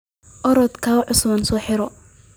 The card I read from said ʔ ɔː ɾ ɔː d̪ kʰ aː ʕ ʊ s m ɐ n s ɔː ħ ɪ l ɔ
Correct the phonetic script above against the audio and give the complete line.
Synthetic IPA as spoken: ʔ ɔ ɾ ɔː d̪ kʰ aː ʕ ʊ s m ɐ n s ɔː ħ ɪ ɾ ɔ